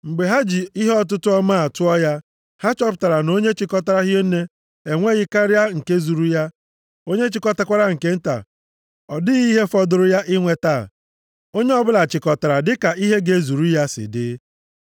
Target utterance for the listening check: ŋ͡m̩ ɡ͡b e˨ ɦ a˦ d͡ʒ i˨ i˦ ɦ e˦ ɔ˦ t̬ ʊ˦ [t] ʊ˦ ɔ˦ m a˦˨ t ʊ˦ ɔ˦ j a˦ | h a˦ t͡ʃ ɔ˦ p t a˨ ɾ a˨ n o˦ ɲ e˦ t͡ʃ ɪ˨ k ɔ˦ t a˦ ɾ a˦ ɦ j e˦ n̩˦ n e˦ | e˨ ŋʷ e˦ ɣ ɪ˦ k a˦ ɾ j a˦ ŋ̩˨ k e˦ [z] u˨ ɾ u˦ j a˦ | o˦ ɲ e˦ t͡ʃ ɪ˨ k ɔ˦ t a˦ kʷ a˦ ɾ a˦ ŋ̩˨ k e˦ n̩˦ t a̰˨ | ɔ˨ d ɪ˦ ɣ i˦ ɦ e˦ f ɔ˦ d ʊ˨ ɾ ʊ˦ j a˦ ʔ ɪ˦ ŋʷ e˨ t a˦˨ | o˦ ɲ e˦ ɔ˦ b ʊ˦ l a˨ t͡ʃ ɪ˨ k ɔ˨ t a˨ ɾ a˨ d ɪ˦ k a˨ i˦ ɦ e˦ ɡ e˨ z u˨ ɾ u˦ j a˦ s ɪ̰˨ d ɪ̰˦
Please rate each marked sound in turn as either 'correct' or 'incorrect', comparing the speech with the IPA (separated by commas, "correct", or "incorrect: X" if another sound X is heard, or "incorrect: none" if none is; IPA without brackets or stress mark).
correct, correct